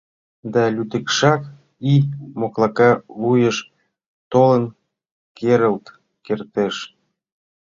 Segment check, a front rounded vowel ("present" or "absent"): present